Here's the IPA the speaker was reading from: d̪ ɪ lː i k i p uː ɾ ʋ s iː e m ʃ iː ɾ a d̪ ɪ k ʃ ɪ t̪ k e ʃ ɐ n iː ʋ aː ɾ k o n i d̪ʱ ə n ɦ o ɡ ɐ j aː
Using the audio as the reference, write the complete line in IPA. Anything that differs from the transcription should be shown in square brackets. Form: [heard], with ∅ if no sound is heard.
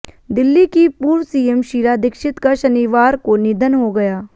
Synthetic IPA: d̪ ɪ lː i k i p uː ɾ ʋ s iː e m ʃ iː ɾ a d̪ ɪ k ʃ ɪ t̪ k [a] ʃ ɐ n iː ʋ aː ɾ k o n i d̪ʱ ə n ɦ o ɡ ɐ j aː